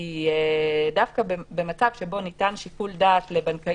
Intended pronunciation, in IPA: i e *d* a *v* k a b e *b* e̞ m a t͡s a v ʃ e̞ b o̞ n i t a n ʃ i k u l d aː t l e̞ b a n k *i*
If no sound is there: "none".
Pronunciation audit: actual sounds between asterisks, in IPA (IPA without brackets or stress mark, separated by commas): d, f, b, a